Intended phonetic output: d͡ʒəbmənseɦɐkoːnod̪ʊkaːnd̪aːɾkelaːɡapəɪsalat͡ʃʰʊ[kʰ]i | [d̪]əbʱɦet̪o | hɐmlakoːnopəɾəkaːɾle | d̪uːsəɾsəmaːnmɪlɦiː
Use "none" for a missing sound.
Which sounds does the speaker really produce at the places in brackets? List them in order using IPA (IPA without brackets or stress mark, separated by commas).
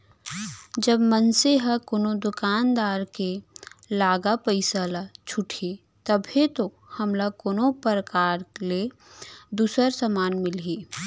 ʈʰ, t̪